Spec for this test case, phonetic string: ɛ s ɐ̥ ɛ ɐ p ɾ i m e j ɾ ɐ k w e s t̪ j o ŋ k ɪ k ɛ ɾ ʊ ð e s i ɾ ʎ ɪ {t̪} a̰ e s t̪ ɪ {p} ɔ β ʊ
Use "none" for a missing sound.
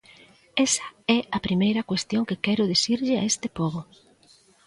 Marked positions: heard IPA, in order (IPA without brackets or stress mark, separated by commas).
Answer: none, p